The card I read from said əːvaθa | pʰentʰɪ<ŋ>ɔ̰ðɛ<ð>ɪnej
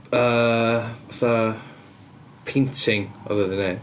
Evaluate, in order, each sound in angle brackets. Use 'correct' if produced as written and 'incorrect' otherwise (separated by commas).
correct, correct